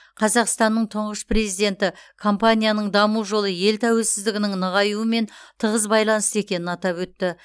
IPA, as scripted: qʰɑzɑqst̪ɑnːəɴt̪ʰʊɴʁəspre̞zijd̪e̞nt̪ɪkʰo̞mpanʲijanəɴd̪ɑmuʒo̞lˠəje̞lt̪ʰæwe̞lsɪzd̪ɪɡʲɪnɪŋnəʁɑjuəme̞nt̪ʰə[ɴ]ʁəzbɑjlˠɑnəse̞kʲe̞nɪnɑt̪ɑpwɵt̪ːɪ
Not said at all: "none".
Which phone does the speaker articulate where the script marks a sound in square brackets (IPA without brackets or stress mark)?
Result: none